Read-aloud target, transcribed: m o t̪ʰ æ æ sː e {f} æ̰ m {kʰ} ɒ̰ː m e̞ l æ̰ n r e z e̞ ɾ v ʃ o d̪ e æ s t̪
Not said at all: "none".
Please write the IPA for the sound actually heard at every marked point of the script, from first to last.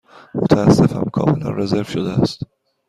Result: f, kʰ

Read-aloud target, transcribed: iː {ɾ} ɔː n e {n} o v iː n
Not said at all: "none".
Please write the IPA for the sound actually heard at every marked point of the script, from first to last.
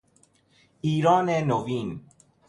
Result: ɾ, n

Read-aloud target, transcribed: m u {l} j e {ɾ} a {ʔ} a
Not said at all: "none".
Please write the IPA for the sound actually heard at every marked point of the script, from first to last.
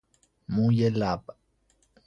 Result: none, l, p

